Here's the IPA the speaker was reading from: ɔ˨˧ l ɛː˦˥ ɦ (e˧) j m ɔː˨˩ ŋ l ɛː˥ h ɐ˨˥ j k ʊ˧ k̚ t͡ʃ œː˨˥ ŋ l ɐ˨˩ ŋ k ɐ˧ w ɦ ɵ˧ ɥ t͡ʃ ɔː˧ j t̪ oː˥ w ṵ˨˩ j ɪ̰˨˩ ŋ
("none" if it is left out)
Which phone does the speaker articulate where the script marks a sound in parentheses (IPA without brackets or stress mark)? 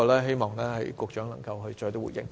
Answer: e˥